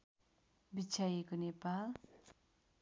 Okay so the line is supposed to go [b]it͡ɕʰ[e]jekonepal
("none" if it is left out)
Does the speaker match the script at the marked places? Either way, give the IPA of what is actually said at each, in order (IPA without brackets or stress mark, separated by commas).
b, a